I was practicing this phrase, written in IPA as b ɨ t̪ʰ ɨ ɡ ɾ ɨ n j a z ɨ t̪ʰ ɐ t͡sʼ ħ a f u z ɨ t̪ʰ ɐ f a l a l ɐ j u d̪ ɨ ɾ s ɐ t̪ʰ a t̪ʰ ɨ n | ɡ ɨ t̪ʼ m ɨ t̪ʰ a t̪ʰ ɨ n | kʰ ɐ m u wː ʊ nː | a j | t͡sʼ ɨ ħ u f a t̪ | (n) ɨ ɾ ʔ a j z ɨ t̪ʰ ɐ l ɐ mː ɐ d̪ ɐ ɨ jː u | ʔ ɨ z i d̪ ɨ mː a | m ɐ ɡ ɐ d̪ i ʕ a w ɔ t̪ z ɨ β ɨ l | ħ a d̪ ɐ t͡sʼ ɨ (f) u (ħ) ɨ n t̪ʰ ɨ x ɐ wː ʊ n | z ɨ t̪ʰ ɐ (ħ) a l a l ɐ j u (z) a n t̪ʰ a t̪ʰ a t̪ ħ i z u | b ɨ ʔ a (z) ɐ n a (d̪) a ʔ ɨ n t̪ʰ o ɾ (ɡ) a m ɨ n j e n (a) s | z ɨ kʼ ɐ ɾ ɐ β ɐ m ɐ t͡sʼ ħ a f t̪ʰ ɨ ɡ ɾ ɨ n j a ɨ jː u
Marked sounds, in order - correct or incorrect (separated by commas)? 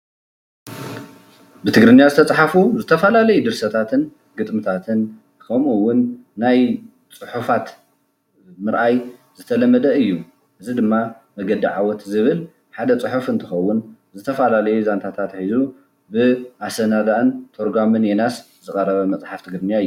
incorrect, incorrect, incorrect, incorrect, correct, incorrect, correct, correct, correct